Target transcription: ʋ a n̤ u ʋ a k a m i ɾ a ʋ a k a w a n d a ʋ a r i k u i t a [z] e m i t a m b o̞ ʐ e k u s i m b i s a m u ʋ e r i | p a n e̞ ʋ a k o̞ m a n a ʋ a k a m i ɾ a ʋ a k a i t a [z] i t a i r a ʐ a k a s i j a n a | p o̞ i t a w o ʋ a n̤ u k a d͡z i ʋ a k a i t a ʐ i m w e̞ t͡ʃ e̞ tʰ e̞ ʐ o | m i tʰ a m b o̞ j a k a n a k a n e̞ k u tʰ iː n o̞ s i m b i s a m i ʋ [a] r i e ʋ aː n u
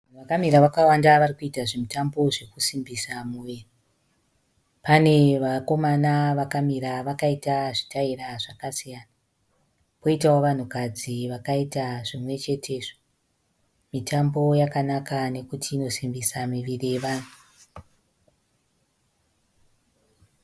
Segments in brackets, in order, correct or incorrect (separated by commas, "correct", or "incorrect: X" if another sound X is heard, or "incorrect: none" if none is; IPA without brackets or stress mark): incorrect: ʐ, incorrect: ʐ, incorrect: i